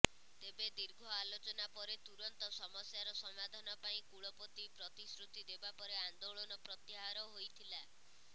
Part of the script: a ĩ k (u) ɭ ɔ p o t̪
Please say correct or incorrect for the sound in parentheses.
correct